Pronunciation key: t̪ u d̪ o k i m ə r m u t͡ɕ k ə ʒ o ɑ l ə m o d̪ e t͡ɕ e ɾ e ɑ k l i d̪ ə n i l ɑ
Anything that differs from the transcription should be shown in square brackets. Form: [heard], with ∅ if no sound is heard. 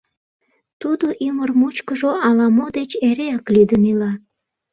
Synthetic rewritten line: t̪ u d̪ o [ʔ] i m ə r m u t͡ɕ k ə ʒ o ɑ l [ɑ] m o d̪ e t͡ɕ e ɾ e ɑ k l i d̪ ə n i l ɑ